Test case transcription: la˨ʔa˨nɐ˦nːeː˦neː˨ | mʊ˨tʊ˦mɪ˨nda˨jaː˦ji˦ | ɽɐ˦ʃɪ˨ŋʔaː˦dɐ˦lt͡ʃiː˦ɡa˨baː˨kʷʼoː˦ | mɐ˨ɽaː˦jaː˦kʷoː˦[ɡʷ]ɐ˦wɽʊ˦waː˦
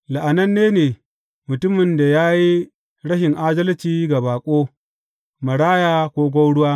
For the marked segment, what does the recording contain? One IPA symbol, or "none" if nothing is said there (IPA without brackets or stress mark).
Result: ɡʷ